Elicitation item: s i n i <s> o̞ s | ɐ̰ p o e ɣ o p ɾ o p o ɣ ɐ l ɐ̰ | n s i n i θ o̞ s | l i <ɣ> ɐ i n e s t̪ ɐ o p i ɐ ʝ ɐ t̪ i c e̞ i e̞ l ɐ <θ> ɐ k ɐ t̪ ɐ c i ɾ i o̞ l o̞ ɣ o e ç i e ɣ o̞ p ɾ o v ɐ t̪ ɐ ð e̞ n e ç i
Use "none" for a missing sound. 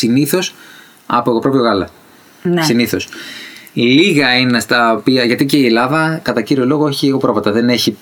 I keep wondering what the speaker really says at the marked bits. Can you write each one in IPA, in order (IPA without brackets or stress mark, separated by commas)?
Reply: θ, ɣ, ð